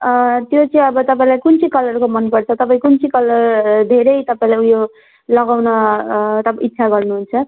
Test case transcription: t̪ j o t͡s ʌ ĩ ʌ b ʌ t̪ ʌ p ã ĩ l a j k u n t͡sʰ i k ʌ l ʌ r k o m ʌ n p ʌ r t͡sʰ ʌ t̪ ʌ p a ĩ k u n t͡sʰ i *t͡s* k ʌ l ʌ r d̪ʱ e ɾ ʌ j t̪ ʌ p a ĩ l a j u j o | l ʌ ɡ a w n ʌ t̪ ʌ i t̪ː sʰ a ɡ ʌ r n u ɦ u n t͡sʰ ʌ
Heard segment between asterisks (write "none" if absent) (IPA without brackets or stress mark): none